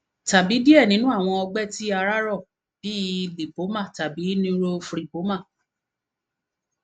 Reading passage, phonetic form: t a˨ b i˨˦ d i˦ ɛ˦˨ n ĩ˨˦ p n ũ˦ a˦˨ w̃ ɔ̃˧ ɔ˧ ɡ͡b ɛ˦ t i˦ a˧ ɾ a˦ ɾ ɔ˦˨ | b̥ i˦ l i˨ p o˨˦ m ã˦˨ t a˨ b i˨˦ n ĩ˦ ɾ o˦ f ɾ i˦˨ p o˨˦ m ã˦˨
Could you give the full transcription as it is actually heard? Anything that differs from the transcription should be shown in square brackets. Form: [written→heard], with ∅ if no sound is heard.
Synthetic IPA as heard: t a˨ b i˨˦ d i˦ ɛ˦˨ n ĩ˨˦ [p→∅] n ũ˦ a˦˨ w̃ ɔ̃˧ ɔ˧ ɡ͡b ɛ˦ t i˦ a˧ ɾ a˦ ɾ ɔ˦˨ | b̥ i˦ l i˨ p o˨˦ m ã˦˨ t a˨ b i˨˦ n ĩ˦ ɾ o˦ f ɾ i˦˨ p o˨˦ m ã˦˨